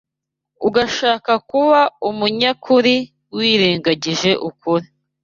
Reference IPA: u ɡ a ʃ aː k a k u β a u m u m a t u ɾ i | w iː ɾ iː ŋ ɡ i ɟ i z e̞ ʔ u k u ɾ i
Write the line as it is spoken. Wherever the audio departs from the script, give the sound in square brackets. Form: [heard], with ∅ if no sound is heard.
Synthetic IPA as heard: u ɡ a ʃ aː k a k u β a u m u [ɲ] a [k] u ɾ i | w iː ɾ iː ŋ ɡ [a] ɟ i [ʒ] e̞ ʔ u k u ɾ i